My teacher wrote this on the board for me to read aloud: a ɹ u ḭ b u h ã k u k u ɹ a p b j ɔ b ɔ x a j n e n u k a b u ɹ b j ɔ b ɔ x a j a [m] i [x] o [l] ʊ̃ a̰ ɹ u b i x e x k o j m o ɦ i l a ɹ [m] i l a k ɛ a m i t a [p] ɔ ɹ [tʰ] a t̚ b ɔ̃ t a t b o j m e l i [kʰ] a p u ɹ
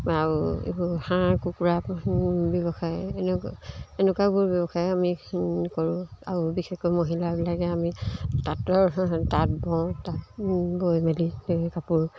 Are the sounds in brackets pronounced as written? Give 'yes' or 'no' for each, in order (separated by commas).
yes, no, no, no, no, no, no